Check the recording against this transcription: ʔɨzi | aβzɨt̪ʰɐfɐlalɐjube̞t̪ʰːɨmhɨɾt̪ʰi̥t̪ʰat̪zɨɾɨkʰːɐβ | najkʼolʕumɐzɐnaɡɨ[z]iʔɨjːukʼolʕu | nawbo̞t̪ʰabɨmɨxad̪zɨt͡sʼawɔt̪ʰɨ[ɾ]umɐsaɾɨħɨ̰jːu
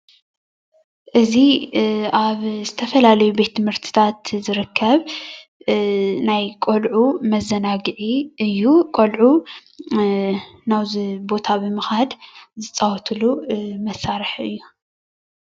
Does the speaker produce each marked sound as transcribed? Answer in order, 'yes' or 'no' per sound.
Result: no, no

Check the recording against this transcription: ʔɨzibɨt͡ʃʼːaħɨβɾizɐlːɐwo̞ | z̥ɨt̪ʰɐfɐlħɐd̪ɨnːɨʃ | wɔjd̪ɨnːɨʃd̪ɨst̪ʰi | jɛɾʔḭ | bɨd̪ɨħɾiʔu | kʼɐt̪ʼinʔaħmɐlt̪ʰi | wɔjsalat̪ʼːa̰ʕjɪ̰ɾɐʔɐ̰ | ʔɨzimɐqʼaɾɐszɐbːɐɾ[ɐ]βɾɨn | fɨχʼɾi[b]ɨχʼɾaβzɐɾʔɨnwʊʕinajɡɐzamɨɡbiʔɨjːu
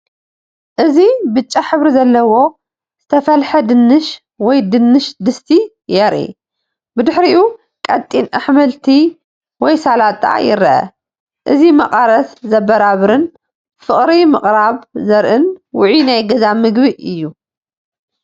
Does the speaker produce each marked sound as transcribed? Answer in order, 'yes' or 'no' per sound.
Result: no, no

